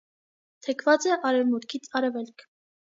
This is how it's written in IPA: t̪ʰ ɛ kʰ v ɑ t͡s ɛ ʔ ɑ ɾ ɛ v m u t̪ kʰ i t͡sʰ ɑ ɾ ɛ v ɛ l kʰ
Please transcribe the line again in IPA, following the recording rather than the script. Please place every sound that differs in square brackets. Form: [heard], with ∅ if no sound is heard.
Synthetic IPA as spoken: t̪ʰ ɛ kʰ v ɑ t͡s ɛ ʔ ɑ ɾ ɛ v m u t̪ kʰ i t͡sʰ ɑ ɾ ɛ v ɛ l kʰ